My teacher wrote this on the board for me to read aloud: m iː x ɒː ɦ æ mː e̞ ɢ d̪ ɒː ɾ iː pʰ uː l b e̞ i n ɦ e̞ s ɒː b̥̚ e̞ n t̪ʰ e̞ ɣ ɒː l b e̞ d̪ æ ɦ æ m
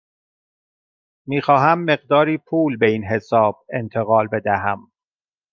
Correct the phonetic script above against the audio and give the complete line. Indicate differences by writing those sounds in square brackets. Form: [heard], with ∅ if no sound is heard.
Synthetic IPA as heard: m iː x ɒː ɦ æ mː e̞ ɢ d̪ ɒː ɾ iː pʰ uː l b e̞ i n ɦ e̞ s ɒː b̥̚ e̞ n t̪ʰ e̞ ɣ ɒː l b e̞ d̪ æ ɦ æ m